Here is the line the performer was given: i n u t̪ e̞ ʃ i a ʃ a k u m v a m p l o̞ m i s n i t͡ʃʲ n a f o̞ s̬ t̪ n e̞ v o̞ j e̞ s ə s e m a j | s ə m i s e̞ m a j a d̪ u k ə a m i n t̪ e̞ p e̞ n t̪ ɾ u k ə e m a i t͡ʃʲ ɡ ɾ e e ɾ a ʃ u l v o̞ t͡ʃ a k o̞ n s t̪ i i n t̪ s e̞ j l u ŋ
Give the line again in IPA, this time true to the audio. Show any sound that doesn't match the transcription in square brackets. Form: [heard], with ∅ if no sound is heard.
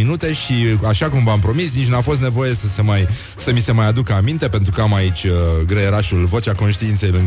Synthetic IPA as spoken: i n u t̪ e̞ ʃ i a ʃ a k u m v a m p [ɾ] o̞ m i s n i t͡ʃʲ n a f o̞ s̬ t̪ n e̞ v o̞ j e̞ s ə s e m a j | s ə m i s e̞ m a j a d̪ u k ə a m i n t̪ e̞ p e̞ n t̪ ɾ u k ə [a] m a i t͡ʃʲ ɡ ɾ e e ɾ a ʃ u l v o̞ t͡ʃ a k o̞ n [ʃ] t̪ i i n t̪ s e̞ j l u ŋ